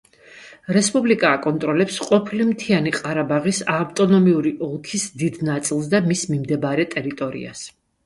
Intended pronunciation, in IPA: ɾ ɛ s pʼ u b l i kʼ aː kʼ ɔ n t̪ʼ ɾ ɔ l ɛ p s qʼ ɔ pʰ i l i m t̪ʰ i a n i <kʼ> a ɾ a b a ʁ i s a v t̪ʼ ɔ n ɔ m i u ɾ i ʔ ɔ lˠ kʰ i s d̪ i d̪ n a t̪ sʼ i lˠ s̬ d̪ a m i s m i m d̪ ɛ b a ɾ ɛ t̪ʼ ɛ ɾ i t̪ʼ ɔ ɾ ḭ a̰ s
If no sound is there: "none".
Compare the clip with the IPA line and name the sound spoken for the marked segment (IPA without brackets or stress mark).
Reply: qʼ